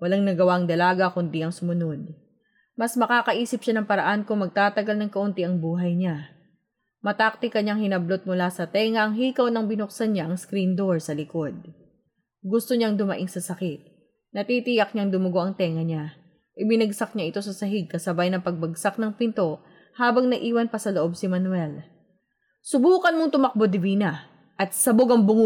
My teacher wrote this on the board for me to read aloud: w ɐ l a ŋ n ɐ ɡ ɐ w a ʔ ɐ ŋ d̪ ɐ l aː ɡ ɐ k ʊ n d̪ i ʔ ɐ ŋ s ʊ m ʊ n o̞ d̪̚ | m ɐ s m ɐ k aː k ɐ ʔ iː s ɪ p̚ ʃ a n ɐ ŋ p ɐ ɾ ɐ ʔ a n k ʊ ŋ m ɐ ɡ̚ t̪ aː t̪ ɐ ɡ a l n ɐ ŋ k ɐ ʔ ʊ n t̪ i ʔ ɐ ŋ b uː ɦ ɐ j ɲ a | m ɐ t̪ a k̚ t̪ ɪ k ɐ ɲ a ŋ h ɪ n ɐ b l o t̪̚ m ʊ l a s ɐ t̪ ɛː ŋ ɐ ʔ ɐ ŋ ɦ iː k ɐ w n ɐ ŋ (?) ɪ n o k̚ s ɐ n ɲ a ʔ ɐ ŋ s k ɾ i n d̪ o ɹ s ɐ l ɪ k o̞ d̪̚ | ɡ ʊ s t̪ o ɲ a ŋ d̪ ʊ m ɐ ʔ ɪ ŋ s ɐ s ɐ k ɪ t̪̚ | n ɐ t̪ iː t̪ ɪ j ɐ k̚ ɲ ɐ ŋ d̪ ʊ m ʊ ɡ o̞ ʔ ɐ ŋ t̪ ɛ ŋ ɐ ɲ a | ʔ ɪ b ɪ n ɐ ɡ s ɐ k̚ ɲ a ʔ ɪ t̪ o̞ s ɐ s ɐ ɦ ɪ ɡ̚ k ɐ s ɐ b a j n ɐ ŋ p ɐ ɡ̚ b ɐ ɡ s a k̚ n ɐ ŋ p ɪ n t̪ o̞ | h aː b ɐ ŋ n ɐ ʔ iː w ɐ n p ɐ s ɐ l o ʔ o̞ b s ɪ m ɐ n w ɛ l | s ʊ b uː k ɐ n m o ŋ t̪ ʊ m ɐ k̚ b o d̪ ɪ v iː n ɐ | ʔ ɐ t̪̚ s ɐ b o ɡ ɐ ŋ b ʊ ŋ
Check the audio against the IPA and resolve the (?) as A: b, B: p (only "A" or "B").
A